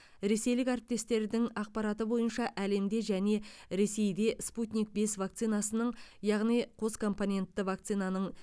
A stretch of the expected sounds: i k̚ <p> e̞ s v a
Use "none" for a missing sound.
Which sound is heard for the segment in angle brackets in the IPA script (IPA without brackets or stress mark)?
b